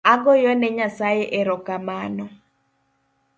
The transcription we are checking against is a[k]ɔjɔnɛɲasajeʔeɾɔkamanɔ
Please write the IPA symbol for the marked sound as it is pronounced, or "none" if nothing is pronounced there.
ɡ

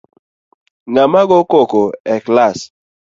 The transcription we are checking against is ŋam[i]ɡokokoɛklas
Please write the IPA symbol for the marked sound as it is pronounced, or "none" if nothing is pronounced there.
a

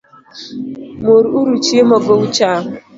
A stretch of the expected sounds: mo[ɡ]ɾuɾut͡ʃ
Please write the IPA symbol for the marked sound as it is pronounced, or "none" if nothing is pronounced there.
none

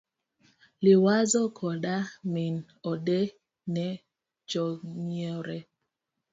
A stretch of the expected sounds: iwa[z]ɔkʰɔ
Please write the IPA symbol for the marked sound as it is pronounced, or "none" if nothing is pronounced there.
z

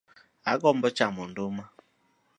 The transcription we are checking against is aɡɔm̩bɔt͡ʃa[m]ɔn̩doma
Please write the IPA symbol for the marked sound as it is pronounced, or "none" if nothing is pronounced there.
m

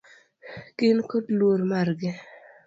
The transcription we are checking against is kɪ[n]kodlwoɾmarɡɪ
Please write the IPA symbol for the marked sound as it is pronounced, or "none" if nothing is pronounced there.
n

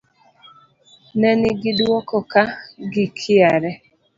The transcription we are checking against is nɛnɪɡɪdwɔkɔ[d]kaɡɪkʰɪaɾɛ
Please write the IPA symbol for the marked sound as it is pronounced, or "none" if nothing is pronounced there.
none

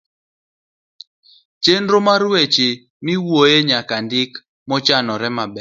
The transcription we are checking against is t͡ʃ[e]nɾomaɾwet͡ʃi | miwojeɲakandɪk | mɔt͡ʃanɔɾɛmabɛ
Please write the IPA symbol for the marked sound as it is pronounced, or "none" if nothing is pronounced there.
e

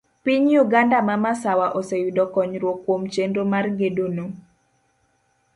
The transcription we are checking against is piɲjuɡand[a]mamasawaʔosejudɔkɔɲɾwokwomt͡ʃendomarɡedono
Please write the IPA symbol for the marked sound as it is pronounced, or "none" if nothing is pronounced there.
a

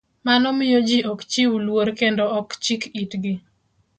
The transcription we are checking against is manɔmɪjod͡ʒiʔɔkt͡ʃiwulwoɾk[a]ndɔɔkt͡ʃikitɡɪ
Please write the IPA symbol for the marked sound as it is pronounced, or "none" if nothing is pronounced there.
e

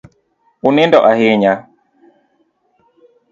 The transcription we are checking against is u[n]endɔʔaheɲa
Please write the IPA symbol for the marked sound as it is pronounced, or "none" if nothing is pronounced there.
n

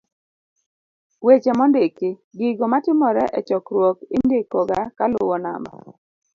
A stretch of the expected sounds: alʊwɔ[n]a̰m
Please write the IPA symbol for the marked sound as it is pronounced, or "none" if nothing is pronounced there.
n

